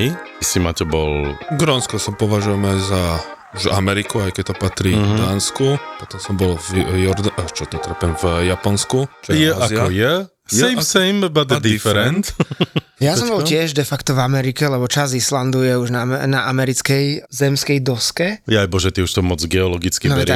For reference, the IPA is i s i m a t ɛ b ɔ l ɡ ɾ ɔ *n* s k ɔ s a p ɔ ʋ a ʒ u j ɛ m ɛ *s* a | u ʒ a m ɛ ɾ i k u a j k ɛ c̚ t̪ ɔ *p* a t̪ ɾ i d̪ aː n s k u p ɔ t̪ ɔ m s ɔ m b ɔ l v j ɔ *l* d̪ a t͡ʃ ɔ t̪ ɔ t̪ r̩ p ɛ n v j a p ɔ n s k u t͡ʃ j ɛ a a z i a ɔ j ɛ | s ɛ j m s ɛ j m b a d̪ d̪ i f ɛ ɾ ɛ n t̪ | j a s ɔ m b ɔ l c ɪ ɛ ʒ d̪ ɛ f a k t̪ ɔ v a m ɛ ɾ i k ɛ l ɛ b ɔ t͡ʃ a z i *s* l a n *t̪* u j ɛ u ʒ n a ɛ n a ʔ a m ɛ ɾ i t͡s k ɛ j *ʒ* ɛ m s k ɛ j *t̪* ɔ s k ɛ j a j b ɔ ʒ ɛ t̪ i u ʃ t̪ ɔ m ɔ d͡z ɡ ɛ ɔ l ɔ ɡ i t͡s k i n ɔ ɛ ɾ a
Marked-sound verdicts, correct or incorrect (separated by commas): correct, incorrect, correct, incorrect, correct, incorrect, incorrect, incorrect